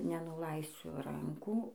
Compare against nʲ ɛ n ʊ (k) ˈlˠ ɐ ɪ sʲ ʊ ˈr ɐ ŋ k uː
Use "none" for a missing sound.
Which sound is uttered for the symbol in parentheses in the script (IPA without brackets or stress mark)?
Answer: none